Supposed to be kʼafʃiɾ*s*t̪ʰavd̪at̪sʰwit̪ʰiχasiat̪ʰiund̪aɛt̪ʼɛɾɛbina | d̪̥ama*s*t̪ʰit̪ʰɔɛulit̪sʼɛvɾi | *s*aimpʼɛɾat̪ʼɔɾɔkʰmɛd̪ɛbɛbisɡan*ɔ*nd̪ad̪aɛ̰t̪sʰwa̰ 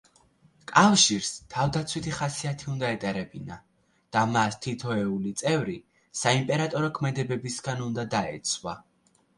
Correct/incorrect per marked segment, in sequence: correct, correct, correct, incorrect

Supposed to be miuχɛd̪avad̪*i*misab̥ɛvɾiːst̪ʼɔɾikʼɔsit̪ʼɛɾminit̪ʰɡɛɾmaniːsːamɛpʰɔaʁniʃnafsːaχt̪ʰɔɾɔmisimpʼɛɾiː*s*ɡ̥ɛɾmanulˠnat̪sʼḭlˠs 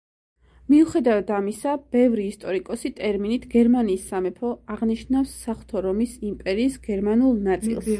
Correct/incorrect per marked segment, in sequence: incorrect, correct

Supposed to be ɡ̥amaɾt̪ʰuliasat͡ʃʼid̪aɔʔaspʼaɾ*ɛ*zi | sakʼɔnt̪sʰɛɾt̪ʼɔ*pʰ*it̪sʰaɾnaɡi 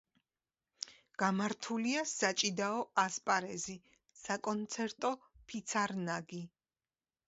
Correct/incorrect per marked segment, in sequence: correct, correct

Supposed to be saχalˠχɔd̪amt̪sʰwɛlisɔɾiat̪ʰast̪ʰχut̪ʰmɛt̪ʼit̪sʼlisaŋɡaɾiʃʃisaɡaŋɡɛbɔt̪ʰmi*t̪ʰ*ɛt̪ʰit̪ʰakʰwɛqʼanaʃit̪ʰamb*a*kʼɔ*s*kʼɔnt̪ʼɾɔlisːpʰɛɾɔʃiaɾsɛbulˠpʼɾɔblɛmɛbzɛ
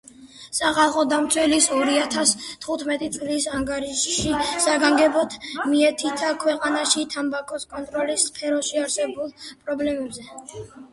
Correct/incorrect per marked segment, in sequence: incorrect, correct, correct

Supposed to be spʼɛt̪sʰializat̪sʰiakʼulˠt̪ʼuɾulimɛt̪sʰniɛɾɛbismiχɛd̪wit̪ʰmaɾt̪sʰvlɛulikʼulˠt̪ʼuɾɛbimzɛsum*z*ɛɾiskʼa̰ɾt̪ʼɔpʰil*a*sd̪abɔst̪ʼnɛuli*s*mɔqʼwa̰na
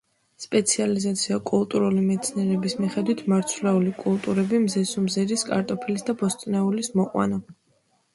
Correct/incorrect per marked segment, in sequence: correct, incorrect, correct

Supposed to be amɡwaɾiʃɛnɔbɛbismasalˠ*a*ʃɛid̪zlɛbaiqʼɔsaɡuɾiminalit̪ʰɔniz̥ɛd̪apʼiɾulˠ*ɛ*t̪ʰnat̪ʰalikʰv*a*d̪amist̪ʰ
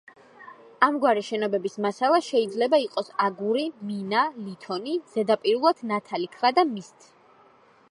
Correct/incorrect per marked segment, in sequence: correct, incorrect, correct

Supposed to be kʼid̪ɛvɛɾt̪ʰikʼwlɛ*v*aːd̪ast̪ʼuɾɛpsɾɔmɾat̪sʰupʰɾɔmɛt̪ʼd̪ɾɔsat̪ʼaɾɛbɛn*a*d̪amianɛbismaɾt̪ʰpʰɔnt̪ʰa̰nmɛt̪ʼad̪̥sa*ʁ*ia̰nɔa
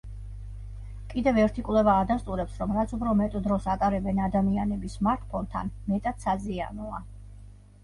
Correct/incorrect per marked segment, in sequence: correct, correct, incorrect

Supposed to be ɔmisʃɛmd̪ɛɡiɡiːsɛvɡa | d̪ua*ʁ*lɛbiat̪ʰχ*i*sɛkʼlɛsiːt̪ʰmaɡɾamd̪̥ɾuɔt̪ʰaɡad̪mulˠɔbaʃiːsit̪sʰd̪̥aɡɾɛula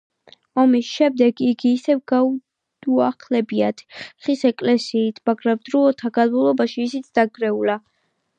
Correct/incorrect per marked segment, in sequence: incorrect, correct

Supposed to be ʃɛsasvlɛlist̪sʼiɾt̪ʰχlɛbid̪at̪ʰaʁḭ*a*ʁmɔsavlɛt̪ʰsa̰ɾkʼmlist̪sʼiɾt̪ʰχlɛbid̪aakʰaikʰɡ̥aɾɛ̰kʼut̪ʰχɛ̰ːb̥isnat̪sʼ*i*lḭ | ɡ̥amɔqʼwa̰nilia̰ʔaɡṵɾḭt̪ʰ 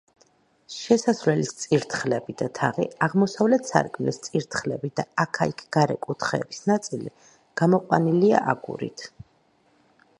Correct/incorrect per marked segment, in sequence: correct, correct

